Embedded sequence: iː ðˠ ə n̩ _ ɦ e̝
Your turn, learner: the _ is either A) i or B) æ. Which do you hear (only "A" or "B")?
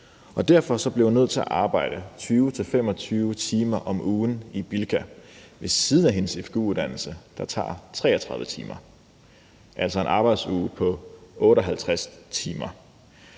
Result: B